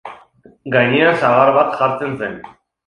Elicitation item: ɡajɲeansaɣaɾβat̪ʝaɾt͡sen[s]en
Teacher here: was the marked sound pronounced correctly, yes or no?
yes